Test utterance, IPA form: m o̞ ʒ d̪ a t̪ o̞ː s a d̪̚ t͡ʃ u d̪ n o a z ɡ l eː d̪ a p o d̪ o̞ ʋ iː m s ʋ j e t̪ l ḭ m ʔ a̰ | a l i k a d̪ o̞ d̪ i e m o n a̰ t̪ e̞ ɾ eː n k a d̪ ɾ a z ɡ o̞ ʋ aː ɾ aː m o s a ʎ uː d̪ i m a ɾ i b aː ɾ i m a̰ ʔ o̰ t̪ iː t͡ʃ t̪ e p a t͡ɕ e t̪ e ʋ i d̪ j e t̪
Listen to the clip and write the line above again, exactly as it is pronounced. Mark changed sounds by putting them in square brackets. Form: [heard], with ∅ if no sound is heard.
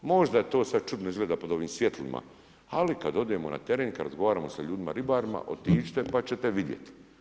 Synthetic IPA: m o̞ ʒ d̪ a t̪ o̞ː s a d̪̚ t͡ʃ u d̪ n o [i] z ɡ l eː d̪ a p o d̪ o̞ ʋ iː m s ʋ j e t̪ l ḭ m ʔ a̰ | a l i k a d̪ o̞ d̪ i e m o n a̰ t̪ e̞ ɾ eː n k a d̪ ɾ a z ɡ o̞ ʋ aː ɾ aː m o s a ʎ uː d̪ i m a ɾ i b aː ɾ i m a̰ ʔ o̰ t̪ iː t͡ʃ t̪ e p a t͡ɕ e t̪ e ʋ i d̪ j e t̪